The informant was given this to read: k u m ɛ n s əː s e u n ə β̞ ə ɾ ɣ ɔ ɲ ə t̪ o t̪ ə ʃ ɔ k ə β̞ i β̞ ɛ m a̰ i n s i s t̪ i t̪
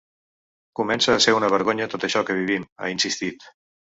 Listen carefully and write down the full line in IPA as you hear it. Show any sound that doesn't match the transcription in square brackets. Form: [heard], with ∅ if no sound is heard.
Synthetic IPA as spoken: k u m ɛ n s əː s e u n ə β̞ ə ɾ ɣ [o] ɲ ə t̪ o t̪ ə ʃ ɔ k ə β̞ i β̞ [i] m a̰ i n s i s t̪ i t̪